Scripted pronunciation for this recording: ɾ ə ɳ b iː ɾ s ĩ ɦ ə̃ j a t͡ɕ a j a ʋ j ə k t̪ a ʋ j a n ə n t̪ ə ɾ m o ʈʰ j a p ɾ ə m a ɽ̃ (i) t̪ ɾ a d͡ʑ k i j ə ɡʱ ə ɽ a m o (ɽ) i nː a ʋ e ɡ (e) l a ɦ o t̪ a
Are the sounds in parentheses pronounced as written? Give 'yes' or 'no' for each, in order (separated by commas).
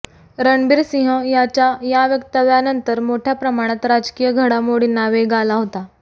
no, yes, no